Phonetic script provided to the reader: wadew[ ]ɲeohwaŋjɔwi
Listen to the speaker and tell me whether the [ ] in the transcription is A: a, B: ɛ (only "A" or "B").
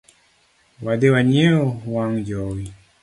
A